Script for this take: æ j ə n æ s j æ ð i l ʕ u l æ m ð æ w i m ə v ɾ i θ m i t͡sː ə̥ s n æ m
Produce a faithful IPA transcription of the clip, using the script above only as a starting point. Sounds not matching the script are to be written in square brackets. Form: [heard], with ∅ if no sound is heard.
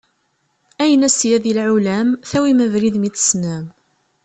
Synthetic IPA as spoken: æ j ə n æ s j æ ð i l ʕ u l æ m [θ] æ w i m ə v ɾ i [ð] m i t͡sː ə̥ s n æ m